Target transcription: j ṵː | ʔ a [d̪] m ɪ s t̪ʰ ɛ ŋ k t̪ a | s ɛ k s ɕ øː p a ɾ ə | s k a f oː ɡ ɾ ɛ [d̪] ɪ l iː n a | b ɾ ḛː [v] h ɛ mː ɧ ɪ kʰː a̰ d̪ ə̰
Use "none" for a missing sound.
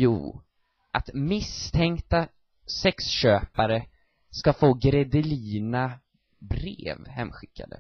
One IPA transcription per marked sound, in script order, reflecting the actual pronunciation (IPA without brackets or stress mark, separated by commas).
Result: t̪, d̪, v